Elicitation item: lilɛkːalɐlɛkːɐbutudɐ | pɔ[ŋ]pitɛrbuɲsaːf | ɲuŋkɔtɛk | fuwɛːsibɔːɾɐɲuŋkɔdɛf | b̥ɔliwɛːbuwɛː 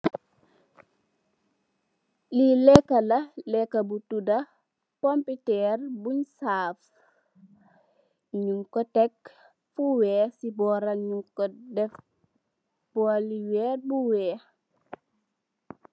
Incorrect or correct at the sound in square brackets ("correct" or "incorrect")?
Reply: incorrect